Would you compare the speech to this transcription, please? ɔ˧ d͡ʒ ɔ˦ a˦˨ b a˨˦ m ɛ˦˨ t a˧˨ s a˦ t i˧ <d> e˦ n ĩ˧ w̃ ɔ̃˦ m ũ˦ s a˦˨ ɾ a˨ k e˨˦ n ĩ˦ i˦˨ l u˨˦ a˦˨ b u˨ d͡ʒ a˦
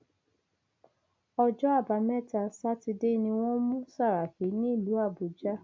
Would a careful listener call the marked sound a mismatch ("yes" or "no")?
no